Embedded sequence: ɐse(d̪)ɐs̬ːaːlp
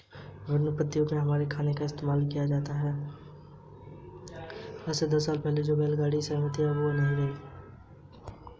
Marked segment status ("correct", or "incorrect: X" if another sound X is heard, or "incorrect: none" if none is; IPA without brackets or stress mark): correct